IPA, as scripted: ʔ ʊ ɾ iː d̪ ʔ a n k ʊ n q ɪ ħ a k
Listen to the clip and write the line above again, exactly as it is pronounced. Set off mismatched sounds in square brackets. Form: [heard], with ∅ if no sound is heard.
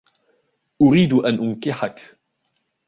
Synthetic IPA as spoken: ʔ ʊ ɾ iː d̪ ʔ a n [ʔ] ʊ n [k] ɪ ħ a k